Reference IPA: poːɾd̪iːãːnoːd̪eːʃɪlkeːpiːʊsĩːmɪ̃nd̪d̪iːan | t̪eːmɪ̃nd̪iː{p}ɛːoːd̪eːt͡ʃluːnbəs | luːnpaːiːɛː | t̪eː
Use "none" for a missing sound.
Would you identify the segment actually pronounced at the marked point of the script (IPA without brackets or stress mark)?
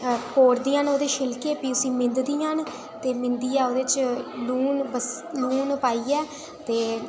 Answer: none